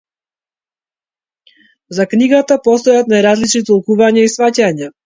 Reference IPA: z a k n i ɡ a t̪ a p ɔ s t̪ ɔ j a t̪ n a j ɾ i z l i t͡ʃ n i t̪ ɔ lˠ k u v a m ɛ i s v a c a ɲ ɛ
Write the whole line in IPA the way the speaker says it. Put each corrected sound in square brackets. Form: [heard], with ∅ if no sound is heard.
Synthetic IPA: z a k n i ɡ a t̪ a p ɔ s t̪ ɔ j a t̪ n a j ɾ [a] z l i t͡ʃ n i t̪ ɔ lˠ k u v a [ɲ] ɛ i s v a c a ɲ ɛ